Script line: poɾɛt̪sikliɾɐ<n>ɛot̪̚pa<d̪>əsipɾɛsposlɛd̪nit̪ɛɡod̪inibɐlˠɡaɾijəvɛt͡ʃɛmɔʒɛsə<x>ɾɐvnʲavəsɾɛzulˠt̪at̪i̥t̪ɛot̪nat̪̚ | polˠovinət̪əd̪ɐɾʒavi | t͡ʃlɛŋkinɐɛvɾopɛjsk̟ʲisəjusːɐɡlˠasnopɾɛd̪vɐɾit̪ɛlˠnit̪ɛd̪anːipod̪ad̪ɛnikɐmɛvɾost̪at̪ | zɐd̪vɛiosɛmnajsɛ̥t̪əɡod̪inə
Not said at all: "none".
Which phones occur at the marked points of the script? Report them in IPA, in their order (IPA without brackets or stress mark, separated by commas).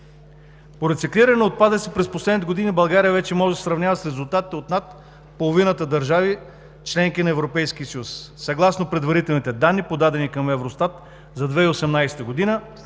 n, d̪, s